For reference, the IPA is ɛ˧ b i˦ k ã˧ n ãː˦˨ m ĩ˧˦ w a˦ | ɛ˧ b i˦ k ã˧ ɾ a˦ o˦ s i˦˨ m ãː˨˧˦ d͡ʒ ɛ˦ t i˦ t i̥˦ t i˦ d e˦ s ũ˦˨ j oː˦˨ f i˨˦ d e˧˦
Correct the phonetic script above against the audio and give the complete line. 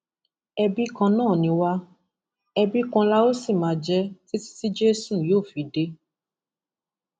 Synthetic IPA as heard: ɛ˧ b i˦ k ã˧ n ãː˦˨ n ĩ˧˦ w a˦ | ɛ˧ b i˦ k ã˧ l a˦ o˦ s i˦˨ m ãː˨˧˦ d͡ʒ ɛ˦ t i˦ t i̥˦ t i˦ d͡ʒ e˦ s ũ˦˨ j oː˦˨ f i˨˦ d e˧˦